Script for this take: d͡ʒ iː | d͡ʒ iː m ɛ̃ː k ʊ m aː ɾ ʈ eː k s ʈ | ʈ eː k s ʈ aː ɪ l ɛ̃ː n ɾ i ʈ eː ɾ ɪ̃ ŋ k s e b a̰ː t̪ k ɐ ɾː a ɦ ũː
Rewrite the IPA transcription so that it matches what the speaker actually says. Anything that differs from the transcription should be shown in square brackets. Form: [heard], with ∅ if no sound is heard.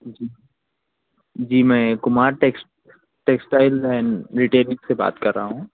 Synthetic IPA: d͡ʒ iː | d͡ʒ iː m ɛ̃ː k ʊ m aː ɾ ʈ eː k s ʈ | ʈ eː k s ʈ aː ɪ l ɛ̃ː n ɾ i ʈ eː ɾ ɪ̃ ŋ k s e b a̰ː t̪ k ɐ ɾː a ɦ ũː